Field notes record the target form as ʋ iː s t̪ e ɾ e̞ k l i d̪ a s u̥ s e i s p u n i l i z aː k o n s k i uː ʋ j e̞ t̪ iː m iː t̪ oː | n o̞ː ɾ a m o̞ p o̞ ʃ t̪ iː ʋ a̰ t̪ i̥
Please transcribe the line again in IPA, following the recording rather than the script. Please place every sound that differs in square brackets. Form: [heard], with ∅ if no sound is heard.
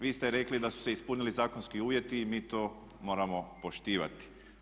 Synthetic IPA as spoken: ʋ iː s t̪ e ɾ e̞ k l i d̪ a s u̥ s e i s p u n i l i z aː k o n s k i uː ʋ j e̞ t̪ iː m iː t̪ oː | [m] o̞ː ɾ a m o̞ p o̞ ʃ t̪ iː ʋ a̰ t̪ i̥